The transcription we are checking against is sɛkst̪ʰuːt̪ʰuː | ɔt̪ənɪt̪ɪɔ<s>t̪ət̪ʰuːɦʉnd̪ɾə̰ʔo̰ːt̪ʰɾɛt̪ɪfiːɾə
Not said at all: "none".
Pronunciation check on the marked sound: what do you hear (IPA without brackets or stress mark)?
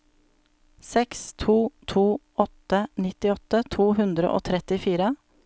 none